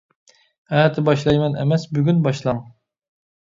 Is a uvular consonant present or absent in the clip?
absent